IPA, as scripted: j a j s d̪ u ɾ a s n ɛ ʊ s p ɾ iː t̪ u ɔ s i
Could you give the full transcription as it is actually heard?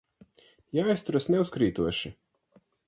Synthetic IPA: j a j s t̪ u ɾ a s n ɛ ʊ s k ɾ iː t̪ u ɔ ʃ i